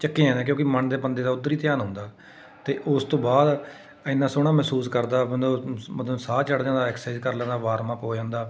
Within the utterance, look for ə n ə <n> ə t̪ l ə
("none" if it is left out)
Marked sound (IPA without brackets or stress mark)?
m